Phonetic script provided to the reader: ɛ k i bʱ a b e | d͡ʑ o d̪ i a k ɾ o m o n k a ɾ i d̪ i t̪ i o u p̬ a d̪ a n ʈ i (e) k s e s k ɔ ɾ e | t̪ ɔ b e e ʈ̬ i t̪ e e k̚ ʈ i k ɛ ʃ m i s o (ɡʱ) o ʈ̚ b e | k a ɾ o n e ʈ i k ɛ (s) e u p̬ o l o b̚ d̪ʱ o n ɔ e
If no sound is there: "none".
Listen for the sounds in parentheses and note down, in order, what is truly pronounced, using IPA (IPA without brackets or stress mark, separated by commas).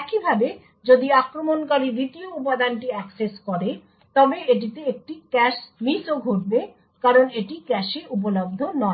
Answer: ɛ, ɡʱ, ʃ